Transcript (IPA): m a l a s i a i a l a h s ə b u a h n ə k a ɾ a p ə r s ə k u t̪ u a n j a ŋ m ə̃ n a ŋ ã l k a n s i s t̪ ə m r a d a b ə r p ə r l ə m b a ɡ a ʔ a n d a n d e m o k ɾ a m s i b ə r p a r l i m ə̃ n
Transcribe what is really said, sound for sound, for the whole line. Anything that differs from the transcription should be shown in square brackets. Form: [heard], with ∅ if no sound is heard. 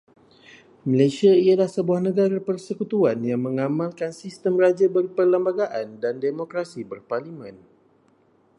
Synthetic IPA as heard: m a l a s i a i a l a h s ə b u a h n ə [ɡ] a ɾ a p ə r s ə k u t̪ u a n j a ŋ m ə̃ [ŋ] a [m] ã l k a n s i s t̪ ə m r a [d͡ʒ] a b ə r p ə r l ə m b a ɡ a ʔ a n d a n d e m o k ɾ a [∅] s i b ə r p a r l i m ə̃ n